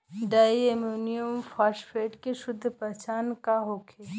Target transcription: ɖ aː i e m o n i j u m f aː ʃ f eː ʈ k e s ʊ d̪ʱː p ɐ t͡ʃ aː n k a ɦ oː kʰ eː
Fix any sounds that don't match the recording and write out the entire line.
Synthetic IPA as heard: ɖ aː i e m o n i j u m f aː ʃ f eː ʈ k e ʃ ʊ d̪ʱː p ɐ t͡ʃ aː n k a ɦ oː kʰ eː